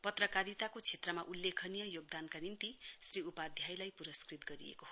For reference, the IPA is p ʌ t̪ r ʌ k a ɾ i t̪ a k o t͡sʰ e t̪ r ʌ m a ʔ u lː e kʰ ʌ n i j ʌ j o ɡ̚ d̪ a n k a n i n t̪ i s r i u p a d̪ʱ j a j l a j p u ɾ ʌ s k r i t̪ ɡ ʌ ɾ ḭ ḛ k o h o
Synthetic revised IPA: p ʌ t̪ r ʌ k a ɾ i t̪ a k o t͡sʰ e t̪ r ʌ m a ʔ u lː e kʰ ʌ n i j ʌ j o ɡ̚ d̪ a n k a n i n t̪ i s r i u p a d̪ʱ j a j l a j p u ɾ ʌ s k r i t̪ ɡ ʌ ɾ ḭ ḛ k o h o